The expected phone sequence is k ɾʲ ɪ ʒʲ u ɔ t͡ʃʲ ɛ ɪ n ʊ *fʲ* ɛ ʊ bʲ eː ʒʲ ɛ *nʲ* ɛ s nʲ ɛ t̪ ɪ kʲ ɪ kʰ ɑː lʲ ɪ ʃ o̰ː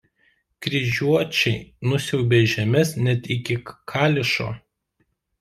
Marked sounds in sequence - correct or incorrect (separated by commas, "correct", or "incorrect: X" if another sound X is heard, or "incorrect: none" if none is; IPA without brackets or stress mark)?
incorrect: sʲ, incorrect: mʲ